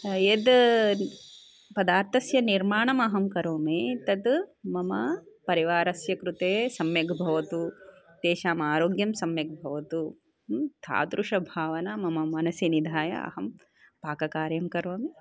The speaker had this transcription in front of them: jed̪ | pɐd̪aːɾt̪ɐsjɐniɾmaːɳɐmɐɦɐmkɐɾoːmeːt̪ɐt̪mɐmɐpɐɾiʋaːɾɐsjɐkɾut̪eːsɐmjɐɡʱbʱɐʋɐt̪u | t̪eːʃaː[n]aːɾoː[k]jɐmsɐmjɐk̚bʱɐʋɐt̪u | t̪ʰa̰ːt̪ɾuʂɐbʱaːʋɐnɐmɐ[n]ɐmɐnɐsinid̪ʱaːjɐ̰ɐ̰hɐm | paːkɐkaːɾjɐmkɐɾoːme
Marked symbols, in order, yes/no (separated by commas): no, no, no